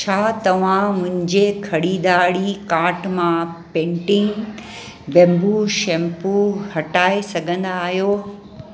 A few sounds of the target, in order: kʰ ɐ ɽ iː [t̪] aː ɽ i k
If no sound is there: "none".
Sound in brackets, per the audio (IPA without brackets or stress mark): d̪